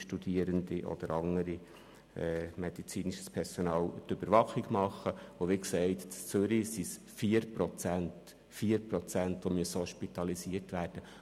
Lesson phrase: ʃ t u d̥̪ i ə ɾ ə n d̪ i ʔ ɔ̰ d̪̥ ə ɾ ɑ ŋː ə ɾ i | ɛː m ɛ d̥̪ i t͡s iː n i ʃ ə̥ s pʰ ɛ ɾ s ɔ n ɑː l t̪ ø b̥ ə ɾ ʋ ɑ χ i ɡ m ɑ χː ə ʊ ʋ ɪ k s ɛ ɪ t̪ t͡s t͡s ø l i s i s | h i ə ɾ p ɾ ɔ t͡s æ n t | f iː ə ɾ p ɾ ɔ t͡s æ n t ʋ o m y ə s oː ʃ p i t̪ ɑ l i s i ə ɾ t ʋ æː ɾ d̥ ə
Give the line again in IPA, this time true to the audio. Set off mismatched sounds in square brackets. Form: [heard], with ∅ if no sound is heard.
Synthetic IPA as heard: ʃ t u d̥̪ i ə ɾ ə n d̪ i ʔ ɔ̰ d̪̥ ə ɾ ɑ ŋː ə ɾ i | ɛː m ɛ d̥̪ i t͡s iː n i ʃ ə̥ s pʰ ɛ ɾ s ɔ n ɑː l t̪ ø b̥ ə ɾ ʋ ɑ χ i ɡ m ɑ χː ə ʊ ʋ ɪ k s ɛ ɪ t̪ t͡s t͡s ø [ɾ] i s i s | [f] i ə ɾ p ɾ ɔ t͡s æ n t | f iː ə ɾ p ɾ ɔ t͡s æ n t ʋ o m y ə s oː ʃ p i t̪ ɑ l i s i ə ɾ t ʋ æː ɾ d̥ ə